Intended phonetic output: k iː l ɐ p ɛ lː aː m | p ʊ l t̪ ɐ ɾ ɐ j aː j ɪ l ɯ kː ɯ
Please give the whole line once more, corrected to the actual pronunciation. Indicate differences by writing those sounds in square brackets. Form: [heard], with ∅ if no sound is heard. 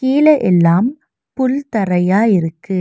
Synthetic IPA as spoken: k iː l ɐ [ʔ] ɛ lː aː m | p ʊ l t̪ ɐ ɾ ɐ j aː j ɪ [ɾ] ɯ kː ɯ